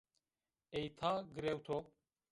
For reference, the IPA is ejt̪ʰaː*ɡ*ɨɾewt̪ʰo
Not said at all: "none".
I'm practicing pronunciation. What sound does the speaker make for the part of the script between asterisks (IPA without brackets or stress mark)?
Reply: ɡ